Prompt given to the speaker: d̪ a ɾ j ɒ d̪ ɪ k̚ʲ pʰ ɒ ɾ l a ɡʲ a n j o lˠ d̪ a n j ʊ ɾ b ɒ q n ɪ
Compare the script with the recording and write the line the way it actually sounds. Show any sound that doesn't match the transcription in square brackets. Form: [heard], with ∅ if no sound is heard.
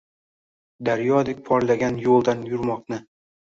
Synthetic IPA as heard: d̪ a ɾ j ɒ d̪ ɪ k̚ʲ pʰ ɒ ɾ l a ɡʲ a n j o lˠ d̪ a n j ʊ ɾ [m] ɒ q n ɪ